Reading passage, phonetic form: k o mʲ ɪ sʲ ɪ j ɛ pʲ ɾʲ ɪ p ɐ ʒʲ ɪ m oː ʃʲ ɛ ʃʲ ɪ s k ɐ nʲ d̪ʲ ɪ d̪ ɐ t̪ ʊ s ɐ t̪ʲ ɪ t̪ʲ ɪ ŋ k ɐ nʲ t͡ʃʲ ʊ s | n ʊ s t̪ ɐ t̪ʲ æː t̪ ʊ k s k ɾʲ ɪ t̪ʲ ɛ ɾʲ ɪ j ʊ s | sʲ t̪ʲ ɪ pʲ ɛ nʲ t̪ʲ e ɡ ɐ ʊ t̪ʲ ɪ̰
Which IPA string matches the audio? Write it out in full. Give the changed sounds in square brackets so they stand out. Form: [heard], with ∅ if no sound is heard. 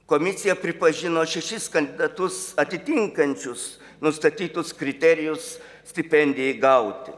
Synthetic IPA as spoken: k o mʲ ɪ sʲ ɪ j ɛ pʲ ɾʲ ɪ p ɐ ʒʲ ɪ [n] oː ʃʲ ɛ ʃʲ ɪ s k ɐ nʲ d̪ʲ ɪ d̪ ɐ t̪ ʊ s ɐ t̪ʲ ɪ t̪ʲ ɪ ŋ k ɐ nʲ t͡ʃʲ ʊ s | n ʊ s t̪ ɐ t̪ʲ [iː] t̪ ʊ [∅] s k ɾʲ ɪ t̪ʲ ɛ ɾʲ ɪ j ʊ s | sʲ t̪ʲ ɪ pʲ ɛ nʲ [d̪ʲ] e ɡ ɐ ʊ t̪ʲ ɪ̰